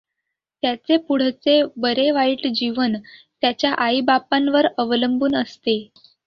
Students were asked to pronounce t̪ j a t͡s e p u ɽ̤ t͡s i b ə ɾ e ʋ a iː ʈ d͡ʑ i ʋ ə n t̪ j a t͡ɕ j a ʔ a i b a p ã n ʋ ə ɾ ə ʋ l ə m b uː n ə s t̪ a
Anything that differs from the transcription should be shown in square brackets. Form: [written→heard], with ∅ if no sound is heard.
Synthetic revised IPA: t̪ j a t͡s e p u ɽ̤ t͡s [i→e] b ə ɾ e ʋ a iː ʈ d͡ʑ i ʋ ə n t̪ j a t͡ɕ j a ʔ a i b a p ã n ʋ ə ɾ ə ʋ l ə m b uː n ə s t̪ [a→e]